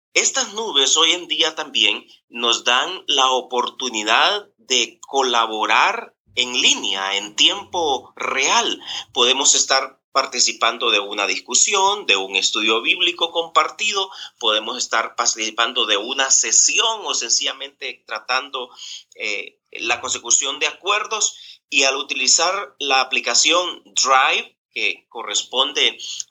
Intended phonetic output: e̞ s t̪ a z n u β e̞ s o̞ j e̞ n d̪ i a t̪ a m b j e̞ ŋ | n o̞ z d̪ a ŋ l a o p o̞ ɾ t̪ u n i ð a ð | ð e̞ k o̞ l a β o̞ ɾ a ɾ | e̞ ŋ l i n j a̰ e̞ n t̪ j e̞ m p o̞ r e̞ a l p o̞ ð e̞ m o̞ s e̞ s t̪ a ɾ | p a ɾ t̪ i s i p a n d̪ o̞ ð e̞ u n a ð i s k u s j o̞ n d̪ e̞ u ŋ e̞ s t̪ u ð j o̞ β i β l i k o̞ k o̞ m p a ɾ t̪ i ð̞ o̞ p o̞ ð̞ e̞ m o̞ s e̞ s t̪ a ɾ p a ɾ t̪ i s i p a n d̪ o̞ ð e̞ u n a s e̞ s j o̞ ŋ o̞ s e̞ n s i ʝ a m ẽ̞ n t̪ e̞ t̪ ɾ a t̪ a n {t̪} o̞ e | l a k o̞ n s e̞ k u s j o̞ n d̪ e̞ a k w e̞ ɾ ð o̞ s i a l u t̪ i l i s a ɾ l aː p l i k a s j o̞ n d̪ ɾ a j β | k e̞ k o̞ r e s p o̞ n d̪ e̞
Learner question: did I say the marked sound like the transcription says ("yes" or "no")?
no